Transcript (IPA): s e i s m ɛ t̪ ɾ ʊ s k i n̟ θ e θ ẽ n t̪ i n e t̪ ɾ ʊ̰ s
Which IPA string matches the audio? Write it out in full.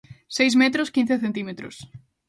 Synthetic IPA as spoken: s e j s m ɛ t̪ ɾ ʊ s k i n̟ θ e θ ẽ n t̪ i m e t̪ ɾ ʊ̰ s